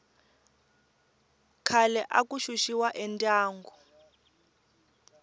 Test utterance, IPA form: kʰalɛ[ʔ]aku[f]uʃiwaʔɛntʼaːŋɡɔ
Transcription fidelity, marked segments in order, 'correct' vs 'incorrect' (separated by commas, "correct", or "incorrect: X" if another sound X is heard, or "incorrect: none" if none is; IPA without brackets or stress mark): correct, incorrect: ʃ